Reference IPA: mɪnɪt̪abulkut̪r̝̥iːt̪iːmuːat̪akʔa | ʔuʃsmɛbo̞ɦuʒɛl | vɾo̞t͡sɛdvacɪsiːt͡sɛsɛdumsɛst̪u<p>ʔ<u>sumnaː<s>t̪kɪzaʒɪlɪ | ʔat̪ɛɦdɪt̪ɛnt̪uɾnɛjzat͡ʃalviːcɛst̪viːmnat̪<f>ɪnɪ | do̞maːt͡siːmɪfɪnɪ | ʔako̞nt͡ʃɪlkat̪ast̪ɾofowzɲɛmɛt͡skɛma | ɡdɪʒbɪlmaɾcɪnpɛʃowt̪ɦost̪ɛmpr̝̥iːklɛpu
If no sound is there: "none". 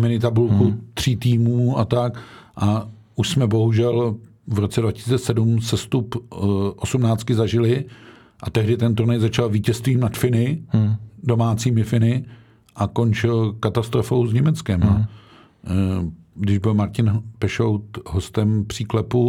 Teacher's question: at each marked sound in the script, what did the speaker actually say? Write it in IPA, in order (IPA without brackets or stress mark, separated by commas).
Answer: p, o, t͡s, f